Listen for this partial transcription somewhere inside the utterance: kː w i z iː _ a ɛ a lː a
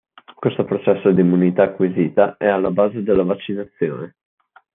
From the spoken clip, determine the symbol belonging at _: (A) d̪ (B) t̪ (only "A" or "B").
B